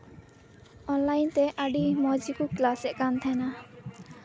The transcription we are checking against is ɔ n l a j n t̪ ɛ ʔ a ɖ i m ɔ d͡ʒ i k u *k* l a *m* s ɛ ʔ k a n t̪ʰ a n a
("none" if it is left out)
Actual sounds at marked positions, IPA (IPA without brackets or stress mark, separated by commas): k, none